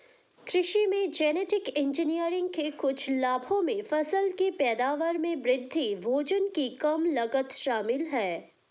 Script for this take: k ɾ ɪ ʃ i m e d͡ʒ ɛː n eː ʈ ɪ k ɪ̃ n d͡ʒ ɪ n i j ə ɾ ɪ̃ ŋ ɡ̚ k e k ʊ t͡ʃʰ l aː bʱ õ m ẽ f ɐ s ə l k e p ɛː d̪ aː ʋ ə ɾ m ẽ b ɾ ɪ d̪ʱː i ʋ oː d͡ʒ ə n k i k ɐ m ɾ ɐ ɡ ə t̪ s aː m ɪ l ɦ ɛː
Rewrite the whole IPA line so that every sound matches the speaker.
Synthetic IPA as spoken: k ɾ ɪ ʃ i m ẽ d͡ʒ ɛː n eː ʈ ɪ k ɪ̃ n d͡ʒ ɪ n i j ə ɾ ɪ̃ ŋ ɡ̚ k e k ʊ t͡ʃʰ l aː bʱ õ m ẽ f ɐ s ə l k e p ɛː d̪ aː ʋ ə ɾ m ẽ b ɾ ɪ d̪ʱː i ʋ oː d͡ʒ ə n k i k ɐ m l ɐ ɡ ə t̪ ʃ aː m ɪ l ɦ ɛː